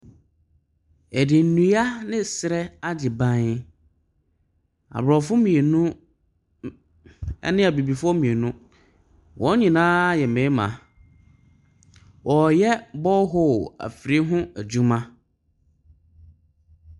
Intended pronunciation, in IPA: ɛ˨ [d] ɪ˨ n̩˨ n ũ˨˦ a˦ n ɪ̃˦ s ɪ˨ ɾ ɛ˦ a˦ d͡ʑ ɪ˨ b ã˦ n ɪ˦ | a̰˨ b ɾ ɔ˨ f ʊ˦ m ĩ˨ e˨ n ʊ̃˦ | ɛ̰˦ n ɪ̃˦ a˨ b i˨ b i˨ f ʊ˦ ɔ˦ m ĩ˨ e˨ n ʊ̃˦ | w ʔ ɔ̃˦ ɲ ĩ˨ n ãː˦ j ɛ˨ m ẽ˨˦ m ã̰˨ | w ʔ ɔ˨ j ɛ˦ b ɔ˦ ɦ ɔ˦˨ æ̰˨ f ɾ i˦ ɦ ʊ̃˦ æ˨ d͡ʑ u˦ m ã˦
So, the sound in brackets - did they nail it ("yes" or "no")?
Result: yes